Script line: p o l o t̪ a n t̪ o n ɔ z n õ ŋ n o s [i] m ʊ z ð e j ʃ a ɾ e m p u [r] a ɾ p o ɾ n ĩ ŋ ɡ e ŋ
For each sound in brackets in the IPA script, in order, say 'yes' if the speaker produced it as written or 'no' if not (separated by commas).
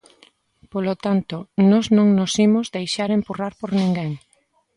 yes, yes